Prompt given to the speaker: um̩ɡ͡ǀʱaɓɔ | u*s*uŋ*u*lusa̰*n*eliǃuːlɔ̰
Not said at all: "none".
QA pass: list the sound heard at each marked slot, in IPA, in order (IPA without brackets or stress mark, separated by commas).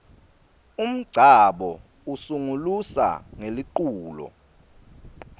s, u, ŋ